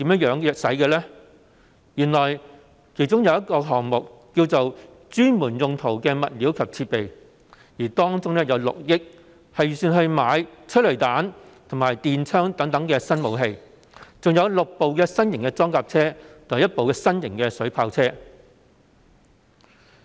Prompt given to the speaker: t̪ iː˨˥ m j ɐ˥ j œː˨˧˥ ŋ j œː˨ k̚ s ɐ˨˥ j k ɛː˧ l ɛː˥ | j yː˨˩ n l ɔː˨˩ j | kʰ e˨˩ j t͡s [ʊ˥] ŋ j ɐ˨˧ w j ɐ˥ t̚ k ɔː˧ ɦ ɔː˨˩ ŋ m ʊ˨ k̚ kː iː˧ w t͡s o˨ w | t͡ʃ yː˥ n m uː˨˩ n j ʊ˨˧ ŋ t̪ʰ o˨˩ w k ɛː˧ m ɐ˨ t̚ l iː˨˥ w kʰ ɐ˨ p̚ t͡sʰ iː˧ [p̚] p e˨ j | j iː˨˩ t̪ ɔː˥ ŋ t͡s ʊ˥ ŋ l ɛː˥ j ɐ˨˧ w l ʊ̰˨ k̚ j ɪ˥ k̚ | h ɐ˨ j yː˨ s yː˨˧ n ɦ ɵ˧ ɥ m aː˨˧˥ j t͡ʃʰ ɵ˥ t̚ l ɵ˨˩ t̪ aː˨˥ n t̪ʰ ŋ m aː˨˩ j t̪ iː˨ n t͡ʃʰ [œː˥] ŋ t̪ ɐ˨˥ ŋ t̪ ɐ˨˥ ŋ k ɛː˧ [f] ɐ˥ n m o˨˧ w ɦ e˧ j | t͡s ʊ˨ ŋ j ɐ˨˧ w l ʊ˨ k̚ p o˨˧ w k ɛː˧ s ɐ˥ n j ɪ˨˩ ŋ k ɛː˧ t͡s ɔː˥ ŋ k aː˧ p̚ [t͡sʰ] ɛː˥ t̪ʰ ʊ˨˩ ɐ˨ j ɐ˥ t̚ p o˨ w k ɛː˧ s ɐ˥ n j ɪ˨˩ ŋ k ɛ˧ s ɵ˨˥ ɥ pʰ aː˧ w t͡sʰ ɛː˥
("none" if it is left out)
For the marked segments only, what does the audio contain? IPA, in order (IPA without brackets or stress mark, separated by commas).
ʊ˥, t̚, œː˥, s, t͡sʰ